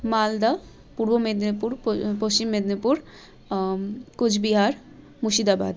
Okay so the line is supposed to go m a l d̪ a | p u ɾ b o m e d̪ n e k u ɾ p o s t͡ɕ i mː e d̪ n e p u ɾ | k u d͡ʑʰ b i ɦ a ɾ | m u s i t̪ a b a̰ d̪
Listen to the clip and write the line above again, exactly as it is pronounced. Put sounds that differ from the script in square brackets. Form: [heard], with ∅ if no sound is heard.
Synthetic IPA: m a l d̪ a | p u ɾ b o m e d̪ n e [p] u ɾ p o s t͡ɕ i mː e d̪ n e p u ɾ | k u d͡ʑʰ b i ɦ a ɾ | m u [ʃ] i [d̪] a b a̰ d̪